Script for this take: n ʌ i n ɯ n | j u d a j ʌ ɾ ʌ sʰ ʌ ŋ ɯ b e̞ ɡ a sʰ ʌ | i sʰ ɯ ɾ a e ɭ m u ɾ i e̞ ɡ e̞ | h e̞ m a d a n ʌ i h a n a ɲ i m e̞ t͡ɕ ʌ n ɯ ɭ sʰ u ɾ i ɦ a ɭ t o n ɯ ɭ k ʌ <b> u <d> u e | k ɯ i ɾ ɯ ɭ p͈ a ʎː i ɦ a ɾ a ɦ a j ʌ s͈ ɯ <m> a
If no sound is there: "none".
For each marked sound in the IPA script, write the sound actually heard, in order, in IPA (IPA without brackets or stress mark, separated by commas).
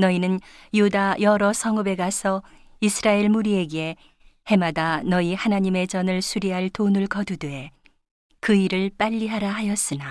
d, d, n